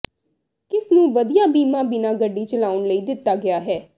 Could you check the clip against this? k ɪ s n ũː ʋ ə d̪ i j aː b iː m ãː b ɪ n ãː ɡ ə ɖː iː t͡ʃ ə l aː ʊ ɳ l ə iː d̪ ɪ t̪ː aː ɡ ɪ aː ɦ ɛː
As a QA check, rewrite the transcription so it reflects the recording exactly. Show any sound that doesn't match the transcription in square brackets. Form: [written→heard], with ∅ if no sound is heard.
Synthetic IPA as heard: k ɪ s n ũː ʋ ə d̪ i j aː b iː m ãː b ɪ n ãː ɡ ə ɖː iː t͡ʃ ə l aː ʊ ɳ l ə iː d̪ ɪ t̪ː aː ɡ ɪ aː ɦ ɛː